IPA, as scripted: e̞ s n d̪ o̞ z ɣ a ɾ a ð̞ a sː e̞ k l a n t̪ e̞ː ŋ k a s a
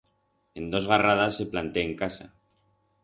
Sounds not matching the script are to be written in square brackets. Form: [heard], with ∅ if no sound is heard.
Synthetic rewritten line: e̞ [∅] n d̪ o̞ z ɣ a [r] a ð̞ a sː e̞ [p] l a n t̪ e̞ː ŋ k a s a

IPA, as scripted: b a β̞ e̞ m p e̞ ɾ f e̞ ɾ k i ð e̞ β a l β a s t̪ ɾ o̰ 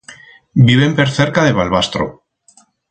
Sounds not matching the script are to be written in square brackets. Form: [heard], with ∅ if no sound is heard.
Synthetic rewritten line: b [i] β̞ e̞ m p e̞ ɾ [θ] e̞ ɾ k [a] ð e̞ β a l β a s t̪ ɾ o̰

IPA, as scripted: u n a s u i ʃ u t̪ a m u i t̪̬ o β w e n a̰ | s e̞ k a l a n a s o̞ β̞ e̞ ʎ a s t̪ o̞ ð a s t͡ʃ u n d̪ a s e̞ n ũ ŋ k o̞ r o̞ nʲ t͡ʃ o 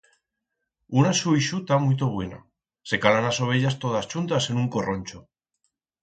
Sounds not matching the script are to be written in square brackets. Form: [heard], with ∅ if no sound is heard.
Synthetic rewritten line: u n a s u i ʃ u t̪ a m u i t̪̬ o β w e n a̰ | s e̞ k a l a n a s o̞ β̞ e̞ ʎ a s t̪ o̞ ð a s t͡ʃ u n [t̪] a s e̞ n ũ ŋ k o̞ r o̞ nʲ t͡ʃ o

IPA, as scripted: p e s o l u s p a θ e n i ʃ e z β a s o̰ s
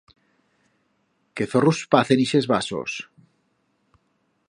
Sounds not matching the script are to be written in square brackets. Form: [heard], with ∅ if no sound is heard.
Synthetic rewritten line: [k] e [θ] o [r] u s p a θ e n i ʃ e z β a s o̰ s

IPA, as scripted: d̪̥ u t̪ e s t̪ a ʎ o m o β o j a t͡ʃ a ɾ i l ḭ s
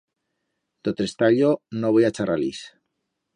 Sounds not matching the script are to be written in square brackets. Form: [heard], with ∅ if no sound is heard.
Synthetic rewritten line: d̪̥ [o] t̪ e s t̪ a ʎ o [n] o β o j a t͡ʃ a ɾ [a] l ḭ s

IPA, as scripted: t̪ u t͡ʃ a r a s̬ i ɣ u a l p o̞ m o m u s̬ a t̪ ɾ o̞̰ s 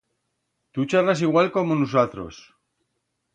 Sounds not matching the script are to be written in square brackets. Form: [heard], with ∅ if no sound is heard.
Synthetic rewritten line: t̪ u t͡ʃ a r a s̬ i ɣ [w] a l [k] o̞ m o [n] u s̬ a t̪ ɾ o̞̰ s

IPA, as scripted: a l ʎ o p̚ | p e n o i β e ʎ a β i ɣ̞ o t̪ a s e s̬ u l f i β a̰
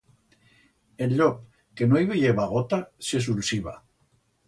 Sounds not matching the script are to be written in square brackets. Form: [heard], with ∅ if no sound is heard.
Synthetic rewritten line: [e] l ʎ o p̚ | [k] e n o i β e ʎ [e] β [a] ɣ̞ o t̪ a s e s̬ u l [s] i β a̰

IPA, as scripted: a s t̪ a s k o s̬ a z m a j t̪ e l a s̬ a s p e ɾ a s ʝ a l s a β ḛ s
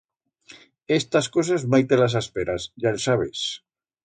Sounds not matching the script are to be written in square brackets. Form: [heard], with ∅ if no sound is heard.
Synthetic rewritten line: [e] s t̪ a s k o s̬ a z m a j t̪ e l a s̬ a s p e ɾ a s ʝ a l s a β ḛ s

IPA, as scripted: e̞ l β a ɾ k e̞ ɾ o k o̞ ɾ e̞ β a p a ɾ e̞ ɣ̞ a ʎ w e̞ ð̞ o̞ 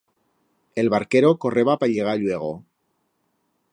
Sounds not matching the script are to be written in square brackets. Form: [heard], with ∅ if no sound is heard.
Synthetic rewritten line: e̞ l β a ɾ k e̞ ɾ o k o̞ [r] e̞ β a p a [ʎ] e̞ ɣ̞ a ʎ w e̞ [ɣ̞] o̞

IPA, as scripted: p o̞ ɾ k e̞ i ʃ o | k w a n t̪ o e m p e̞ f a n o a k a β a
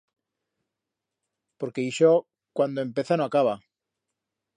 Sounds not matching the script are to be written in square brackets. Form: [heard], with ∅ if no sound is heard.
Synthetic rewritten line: p o̞ ɾ k e̞ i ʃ o | k w a n [d̪] o e m p e̞ [θ] a n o a k a β a

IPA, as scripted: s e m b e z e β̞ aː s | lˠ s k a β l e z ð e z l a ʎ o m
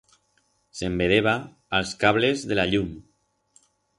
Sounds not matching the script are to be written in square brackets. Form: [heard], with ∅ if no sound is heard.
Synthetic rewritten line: s e m b e [ð] e β̞ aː [∅] | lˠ s k a β l e z ð e [∅] l a ʎ [u] m

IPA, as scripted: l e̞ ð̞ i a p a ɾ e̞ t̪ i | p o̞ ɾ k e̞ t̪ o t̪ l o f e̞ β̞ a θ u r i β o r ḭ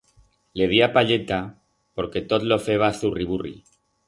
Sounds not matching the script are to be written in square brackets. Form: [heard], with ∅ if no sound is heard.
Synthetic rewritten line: l e̞ ð̞ i a p a [ʎ] e̞ t̪ [a] | p o̞ ɾ k e̞ t̪ o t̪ l o f e̞ β̞ a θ u r i β [u] r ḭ

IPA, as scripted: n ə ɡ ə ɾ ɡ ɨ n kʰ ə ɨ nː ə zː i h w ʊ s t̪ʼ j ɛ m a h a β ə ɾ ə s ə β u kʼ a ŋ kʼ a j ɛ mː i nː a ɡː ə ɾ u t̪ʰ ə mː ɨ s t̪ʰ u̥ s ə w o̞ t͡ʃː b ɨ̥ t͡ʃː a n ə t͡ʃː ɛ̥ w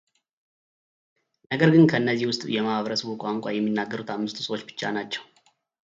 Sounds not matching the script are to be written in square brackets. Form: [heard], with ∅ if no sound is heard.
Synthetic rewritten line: n ə ɡ ə ɾ ɡ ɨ n kʰ ə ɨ nː ə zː i h w ʊ s t̪ʼ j ɛ m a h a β ə ɾ ə s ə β u kʼ a ŋ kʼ a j ɛ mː i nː a ɡː ə ɾ u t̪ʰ [a] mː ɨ s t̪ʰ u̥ s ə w o̞ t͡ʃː b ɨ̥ t͡ʃː a n [a] t͡ʃː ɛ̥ w

